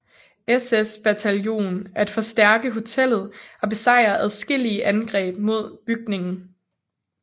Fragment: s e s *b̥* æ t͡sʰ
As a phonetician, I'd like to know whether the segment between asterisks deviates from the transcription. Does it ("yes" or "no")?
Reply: no